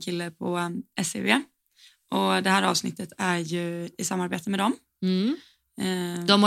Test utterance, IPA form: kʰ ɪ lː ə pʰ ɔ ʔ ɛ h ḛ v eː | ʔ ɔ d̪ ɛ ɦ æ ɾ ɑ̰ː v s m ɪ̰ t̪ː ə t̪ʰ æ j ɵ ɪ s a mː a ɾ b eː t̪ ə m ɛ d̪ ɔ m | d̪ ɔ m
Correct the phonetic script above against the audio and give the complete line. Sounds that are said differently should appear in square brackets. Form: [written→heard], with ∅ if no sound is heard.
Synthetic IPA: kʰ ɪ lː ə pʰ ɔ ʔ ɛ [h→s] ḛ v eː | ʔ ɔ d̪ ɛ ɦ [æ→æː] ɾ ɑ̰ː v s [m→n] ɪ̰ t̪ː ə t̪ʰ æ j ɵ ɪ s a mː a ɾ b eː t̪ ə m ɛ d̪ ɔ m | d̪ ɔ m